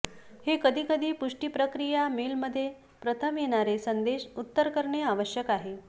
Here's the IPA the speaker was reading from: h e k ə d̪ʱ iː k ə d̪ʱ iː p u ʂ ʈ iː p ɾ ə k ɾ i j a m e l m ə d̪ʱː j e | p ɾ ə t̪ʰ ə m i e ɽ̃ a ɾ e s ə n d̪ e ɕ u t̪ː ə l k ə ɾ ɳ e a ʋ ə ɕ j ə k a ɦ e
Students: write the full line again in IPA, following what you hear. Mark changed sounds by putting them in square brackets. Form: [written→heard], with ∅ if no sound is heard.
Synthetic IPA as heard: h e k ə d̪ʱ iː k ə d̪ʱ iː p u ʂ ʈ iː p ɾ ə k ɾ i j a m e l m ə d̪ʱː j e | p ɾ ə t̪ʰ ə m [i→j] e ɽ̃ a ɾ e s ə n d̪ e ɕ u t̪ː ə [l→ɾ] k ə ɾ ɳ e a ʋ ə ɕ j ə k a ɦ e